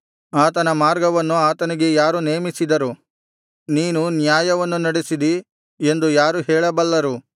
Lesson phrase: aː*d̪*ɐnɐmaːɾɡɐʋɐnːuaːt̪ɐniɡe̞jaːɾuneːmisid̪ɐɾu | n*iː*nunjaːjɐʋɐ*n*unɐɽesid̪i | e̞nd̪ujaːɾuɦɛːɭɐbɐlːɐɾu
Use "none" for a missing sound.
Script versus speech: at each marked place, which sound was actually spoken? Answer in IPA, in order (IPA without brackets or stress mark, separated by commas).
t̪, iː, nː